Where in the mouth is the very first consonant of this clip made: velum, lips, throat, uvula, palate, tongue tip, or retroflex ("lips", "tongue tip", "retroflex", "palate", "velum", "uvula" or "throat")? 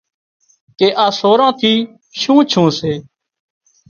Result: velum